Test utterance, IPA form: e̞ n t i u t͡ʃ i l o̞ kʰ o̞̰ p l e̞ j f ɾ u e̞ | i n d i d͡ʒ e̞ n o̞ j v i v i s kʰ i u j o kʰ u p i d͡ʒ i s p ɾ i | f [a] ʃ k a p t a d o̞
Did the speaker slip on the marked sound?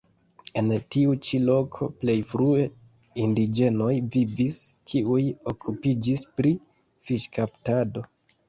yes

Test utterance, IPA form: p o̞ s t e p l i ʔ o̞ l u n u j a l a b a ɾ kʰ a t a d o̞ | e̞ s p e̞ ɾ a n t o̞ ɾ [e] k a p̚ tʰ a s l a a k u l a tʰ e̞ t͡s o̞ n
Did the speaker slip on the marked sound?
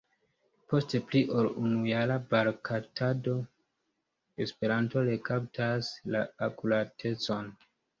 no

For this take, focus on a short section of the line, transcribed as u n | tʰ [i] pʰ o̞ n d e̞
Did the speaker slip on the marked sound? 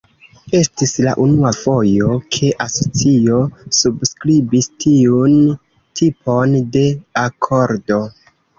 no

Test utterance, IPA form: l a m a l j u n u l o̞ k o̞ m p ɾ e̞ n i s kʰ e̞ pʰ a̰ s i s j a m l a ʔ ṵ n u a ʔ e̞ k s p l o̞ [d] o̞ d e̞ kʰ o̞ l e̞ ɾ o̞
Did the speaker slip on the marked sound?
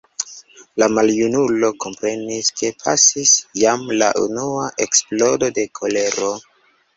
no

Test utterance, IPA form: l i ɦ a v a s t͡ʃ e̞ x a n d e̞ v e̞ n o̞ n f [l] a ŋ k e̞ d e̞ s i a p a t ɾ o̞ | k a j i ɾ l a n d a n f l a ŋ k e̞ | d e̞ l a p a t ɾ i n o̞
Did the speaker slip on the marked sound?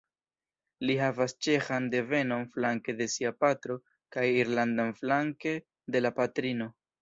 no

